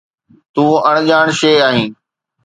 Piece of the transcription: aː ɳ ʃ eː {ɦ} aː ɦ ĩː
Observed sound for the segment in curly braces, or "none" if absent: none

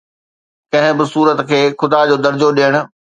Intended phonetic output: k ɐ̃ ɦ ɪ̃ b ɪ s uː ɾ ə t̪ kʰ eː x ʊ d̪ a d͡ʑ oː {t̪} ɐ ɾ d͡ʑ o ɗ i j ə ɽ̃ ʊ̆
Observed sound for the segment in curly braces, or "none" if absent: d̪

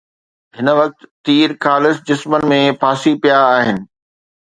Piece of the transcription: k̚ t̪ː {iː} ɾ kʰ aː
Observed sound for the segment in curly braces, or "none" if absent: iː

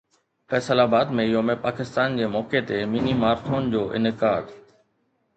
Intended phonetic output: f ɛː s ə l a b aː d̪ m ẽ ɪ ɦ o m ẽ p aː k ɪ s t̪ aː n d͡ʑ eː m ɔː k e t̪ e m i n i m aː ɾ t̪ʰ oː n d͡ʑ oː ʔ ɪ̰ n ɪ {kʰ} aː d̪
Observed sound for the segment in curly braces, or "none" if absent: k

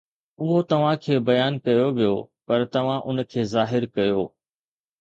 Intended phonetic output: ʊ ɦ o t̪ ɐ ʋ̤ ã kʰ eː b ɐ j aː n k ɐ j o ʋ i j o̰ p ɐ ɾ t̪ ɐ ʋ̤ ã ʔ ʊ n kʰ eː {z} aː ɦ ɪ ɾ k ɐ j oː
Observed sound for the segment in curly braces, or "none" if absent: z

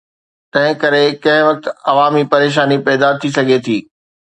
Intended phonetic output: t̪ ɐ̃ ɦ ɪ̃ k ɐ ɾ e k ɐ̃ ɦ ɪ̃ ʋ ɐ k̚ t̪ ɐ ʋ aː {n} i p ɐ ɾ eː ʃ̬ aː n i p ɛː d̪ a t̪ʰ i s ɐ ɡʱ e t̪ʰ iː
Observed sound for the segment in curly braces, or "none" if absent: m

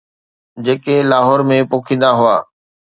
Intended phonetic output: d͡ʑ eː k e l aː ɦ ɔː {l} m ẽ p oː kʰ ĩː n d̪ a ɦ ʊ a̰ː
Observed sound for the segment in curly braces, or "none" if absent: ɾ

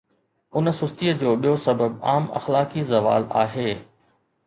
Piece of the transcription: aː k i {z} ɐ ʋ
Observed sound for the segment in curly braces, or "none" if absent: z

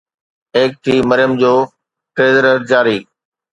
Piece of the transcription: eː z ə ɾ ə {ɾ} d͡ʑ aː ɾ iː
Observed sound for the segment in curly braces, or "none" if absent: ɾ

